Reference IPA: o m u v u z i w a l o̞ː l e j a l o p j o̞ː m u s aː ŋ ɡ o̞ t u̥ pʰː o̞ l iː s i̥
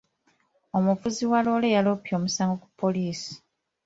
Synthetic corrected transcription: o m u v u z i w a l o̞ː l e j a l o p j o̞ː m u s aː ŋ ɡ o̞ k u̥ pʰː o̞ l iː s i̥